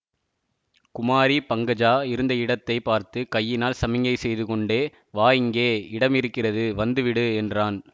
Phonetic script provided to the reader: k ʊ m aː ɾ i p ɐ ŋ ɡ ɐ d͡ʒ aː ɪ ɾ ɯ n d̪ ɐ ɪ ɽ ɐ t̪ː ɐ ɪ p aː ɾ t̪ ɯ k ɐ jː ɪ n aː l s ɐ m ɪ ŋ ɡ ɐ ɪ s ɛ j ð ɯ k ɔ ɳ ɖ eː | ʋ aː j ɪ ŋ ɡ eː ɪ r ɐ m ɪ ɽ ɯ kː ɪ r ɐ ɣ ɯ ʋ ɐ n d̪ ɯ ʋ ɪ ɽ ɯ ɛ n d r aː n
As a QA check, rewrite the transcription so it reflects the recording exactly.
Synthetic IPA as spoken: k ʊ m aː ɾ i p ɐ ŋ ɡ ɐ d͡ʒ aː ɪ ɾ ɯ n d̪ ɐ ɪ ɽ ɐ t̪ː ɐ ɪ p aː ɾ t̪ ɯ k ɐ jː ɪ n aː l s ɐ m ɪ ŋ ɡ ɐ ɪ s ɛ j ð ɯ k ɔ ɳ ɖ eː | ʋ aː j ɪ ŋ ɡ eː ɪ ɽ ɐ m ɪ ɾ ɯ kː ɪ r ɐ ð ɯ ʋ ɐ n d̪ ɯ ʋ ɪ ɽ ɯ ɛ n d r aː n